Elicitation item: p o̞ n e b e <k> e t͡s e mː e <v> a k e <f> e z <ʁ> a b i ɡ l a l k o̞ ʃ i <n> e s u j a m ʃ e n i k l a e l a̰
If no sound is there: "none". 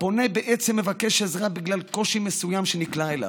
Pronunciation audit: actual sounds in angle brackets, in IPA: ʔ, v, ʃ, ʁ, m

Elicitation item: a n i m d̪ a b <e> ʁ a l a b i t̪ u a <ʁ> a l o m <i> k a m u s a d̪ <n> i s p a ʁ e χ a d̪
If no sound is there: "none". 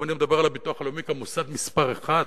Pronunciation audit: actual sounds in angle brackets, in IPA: e, χ, i, m

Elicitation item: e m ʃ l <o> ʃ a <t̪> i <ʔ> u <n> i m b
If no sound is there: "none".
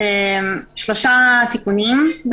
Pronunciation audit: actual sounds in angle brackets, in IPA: o, t̪, k, n

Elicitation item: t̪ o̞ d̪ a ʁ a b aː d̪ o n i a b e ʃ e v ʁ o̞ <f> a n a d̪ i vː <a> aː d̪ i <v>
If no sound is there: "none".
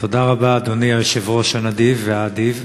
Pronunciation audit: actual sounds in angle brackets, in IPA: ʃ, e, v

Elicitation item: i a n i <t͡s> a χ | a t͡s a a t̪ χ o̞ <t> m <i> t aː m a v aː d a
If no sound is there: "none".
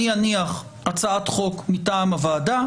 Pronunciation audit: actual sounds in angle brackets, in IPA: none, k, i

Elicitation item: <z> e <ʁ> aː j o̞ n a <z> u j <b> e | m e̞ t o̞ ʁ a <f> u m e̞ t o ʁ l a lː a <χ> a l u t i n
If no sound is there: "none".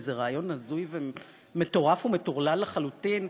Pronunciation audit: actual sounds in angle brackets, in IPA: z, ʁ, z, v, f, χ

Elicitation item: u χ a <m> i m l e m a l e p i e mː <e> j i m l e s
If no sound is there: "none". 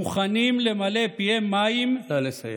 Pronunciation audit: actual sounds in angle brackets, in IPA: n, a

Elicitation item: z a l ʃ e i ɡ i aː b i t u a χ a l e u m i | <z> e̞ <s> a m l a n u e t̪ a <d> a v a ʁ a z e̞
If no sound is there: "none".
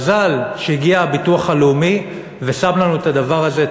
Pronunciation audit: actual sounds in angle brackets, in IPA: v, s, d

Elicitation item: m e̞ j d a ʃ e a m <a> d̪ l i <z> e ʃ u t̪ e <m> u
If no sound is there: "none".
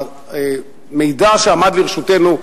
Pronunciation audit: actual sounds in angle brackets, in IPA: a, ʁ, n

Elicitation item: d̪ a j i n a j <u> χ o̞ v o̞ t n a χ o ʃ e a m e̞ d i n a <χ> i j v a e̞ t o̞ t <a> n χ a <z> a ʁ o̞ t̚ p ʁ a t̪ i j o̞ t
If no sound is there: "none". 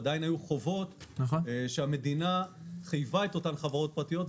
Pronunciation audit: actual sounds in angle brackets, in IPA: u, χ, a, v

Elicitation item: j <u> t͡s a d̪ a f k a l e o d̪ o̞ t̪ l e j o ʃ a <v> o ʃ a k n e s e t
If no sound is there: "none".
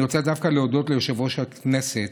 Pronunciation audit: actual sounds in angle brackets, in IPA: o, v

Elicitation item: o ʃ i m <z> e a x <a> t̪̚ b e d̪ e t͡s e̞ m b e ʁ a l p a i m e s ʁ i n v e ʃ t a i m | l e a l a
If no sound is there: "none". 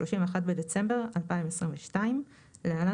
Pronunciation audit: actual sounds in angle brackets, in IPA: v, a

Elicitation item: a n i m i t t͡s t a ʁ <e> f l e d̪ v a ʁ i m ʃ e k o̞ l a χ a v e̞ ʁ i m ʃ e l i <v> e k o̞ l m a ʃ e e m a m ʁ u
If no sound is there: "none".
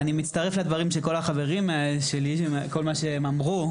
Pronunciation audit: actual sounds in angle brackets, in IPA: e, none

